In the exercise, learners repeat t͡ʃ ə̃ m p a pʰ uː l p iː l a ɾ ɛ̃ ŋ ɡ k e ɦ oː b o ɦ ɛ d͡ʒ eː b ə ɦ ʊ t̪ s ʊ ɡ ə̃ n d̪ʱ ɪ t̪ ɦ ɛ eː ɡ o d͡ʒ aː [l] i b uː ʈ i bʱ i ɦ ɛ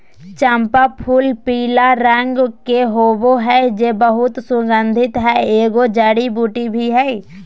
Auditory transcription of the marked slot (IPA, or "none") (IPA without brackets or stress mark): ɽ